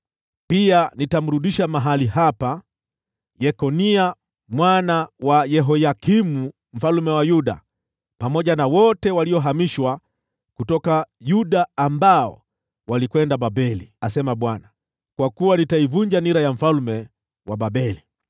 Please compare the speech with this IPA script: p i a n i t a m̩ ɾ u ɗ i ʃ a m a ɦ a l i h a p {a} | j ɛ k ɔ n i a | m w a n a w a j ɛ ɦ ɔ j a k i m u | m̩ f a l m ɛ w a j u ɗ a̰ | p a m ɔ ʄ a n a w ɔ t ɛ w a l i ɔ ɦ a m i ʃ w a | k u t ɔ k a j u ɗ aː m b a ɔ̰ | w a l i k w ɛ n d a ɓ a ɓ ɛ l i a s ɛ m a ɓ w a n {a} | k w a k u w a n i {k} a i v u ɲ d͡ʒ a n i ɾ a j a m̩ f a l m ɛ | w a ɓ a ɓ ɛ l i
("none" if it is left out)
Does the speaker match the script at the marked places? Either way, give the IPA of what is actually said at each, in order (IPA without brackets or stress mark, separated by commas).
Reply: a, a, t